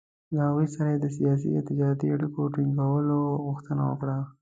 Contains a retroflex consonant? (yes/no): yes